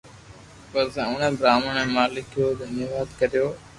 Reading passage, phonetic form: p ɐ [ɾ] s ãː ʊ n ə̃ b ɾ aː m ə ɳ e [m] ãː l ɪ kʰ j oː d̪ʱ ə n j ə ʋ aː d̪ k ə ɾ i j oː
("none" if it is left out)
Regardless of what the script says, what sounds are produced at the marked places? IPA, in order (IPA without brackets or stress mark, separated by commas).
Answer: ɾ, m